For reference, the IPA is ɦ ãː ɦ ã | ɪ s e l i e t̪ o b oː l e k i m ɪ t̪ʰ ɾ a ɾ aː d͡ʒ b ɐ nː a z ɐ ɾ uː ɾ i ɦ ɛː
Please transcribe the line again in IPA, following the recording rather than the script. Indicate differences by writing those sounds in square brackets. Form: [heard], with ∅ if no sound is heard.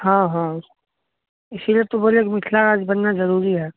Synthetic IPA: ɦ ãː ɦ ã | ɪ s [i] l i e t̪ o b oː l e k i m ɪ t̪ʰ [l] a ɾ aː d͡ʒ b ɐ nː a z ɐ ɾ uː ɾ i ɦ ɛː